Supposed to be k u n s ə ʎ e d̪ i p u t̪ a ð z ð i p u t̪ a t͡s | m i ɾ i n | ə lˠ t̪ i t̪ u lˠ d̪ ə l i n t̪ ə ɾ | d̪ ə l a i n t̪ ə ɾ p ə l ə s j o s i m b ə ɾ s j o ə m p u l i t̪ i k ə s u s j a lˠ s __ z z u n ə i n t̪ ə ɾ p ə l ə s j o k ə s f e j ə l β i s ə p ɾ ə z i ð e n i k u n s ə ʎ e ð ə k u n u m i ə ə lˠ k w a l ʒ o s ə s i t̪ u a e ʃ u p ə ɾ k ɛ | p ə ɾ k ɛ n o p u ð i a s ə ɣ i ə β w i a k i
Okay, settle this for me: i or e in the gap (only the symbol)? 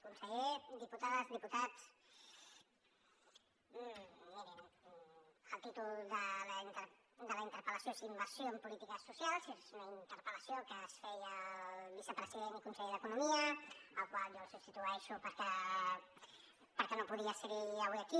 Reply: e